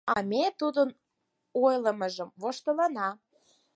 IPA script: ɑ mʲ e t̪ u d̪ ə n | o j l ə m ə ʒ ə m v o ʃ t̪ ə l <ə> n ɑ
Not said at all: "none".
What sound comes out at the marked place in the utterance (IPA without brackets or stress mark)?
ɑ